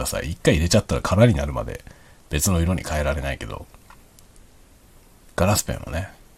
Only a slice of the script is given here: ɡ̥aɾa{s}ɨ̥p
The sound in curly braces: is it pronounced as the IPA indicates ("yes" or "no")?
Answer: yes